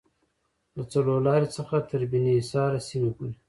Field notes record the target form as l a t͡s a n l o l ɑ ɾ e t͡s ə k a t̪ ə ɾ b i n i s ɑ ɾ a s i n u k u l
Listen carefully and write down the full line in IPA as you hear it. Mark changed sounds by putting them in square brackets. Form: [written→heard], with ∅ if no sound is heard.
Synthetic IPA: l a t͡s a [n→∅] l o l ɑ ɾ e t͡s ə [k→x] a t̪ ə ɾ b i n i s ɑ ɾ a s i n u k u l